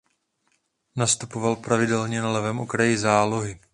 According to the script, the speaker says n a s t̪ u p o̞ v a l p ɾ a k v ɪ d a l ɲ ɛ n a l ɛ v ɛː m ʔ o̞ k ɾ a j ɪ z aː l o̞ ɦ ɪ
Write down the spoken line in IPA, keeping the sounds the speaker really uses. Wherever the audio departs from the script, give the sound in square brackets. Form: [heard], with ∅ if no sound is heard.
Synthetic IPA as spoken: n a s t̪ u p o̞ v a l p ɾ a [∅] v ɪ d [ɛ] l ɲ ɛ n a l ɛ v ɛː m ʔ o̞ k ɾ a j ɪ z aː l o̞ ɦ ɪ